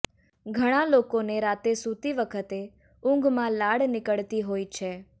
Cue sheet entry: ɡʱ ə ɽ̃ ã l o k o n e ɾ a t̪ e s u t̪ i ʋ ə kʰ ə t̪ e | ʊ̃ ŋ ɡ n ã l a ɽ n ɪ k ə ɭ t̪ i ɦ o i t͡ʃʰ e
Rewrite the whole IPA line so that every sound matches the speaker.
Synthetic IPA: ɡʱ ə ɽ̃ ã l o k o n e ɾ a t̪ e s u t̪ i ʋ ə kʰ ə t̪ e | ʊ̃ ŋ ɡ m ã l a ɽ n ɪ k ə ɭ t̪ i ɦ o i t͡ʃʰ e